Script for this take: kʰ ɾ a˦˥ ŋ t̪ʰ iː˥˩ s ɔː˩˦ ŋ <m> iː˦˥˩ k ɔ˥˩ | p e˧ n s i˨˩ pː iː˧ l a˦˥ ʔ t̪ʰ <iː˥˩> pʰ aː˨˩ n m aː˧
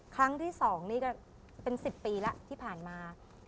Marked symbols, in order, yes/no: no, yes

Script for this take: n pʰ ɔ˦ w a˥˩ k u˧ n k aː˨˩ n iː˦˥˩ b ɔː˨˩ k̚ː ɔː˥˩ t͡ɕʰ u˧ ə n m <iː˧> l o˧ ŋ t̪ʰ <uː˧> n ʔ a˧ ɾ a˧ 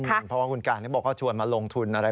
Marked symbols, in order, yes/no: no, no

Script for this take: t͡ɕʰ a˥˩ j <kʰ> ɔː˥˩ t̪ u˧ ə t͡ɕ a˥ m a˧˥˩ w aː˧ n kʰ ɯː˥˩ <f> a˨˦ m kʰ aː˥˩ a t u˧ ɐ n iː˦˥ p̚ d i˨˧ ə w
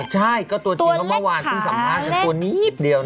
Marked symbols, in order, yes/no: no, no

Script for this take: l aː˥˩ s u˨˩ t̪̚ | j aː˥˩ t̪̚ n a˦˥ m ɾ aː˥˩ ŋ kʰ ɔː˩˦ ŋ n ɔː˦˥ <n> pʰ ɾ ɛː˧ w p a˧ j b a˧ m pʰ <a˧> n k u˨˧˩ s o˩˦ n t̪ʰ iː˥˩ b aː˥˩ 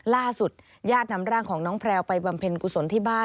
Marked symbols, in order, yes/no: no, no

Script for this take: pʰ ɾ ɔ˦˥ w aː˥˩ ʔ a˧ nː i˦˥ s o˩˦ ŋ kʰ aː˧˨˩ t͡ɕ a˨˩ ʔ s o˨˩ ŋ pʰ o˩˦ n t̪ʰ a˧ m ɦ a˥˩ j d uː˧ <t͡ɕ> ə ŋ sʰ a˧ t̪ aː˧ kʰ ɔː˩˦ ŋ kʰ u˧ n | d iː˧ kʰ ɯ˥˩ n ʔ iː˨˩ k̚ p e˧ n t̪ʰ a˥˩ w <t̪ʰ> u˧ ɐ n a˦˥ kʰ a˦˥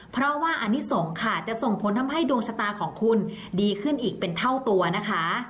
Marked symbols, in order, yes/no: no, no

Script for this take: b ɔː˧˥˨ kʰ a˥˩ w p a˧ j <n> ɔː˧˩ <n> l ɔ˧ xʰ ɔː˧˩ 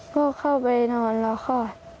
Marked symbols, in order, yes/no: yes, yes

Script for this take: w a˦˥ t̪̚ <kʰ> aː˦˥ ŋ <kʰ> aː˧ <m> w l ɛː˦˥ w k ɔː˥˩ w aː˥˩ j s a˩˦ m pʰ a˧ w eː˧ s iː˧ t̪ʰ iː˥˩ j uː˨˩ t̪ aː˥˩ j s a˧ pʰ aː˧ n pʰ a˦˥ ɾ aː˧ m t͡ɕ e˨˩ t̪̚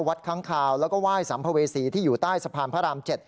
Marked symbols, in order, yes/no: yes, yes, no

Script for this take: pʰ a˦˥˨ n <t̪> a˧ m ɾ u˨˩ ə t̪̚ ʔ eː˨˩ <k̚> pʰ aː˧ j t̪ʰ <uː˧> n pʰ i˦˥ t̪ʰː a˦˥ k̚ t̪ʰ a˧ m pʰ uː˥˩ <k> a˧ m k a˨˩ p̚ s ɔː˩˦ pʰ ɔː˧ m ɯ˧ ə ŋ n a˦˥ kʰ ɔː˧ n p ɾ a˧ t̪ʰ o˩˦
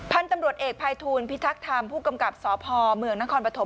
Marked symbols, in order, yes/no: yes, yes, yes, yes

